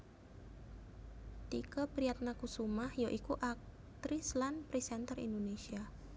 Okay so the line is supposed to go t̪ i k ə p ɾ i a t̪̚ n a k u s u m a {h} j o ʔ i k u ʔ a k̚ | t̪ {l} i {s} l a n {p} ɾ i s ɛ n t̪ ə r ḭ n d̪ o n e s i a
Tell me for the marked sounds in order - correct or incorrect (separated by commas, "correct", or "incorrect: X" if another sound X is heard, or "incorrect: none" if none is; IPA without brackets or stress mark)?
correct, incorrect: ɾ, correct, correct